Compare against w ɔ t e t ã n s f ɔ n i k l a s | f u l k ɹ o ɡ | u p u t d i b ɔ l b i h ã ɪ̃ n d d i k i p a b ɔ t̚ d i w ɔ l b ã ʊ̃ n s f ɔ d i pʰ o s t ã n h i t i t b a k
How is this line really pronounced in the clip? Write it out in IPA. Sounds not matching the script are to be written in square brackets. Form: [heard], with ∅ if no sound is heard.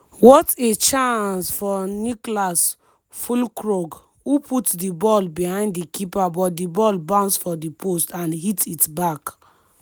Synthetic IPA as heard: w ɔ t e [t͡ʃ] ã n s f ɔ n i k l a s | f u l k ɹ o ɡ | u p u t d i b ɔ l b i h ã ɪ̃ n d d i k i p a b ɔ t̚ d i [b] ɔ l b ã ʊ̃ n s f ɔ d i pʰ o s t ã n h i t i t b a k